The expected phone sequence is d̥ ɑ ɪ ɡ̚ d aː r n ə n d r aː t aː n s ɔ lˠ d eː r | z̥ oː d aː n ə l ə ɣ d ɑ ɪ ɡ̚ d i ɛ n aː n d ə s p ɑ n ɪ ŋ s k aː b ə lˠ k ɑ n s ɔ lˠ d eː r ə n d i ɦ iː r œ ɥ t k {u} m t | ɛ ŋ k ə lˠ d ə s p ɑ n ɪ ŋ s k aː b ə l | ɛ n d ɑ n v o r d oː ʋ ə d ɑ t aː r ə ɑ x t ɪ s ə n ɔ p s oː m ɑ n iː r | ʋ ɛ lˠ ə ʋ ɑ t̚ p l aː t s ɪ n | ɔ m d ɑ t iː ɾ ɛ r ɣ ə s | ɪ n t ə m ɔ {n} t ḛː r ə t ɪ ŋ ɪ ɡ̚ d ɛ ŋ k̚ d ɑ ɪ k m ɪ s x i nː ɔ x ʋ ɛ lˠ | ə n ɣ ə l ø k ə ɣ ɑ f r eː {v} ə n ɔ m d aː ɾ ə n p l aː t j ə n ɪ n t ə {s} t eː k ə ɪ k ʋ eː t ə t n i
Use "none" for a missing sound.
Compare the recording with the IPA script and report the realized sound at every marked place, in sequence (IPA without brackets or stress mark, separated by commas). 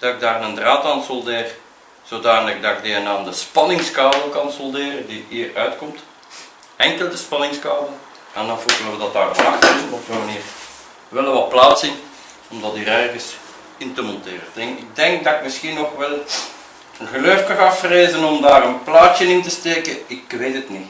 ɔ, n, z, s